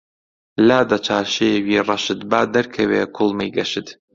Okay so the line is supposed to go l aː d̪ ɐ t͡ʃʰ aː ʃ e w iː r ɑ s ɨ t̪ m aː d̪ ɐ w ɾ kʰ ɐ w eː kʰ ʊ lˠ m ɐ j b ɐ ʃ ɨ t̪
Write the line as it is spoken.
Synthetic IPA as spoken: l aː d̪ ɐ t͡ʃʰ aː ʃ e w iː r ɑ ʃ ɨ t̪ b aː d̪ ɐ ɾ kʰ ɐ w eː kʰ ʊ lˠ m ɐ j ɡ ɐ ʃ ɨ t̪